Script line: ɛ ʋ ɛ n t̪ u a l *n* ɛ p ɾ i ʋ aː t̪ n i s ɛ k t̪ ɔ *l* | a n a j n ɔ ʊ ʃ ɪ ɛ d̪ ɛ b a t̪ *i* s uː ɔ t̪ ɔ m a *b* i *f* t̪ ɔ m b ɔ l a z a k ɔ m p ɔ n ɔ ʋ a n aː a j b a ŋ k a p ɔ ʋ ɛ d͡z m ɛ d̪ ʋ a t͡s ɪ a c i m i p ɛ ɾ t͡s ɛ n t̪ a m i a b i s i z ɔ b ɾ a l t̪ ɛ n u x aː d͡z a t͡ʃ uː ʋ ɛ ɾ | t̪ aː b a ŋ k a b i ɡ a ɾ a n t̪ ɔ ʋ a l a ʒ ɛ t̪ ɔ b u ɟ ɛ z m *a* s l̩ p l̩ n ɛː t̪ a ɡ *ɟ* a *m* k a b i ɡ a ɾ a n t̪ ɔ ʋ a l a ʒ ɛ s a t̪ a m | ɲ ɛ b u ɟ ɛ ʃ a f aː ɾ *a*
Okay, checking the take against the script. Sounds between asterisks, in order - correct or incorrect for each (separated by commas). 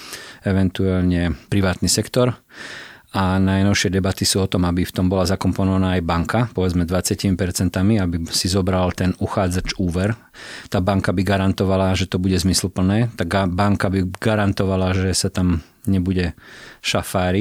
incorrect, incorrect, correct, correct, correct, incorrect, incorrect, incorrect, incorrect